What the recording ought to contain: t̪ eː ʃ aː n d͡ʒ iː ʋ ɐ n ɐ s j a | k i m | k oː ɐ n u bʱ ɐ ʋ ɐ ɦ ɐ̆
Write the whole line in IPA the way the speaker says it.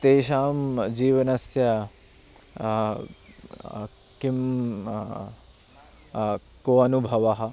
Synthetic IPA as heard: t̪ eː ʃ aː m d͡ʒ iː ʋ ɐ n ɐ s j ɐ | k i m | k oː ɐ n u bʱ ɐ ʋ ɐ ɦ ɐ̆